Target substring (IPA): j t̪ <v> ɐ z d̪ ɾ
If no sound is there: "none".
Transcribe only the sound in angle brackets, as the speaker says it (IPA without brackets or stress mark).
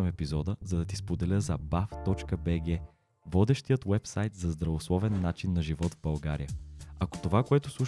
z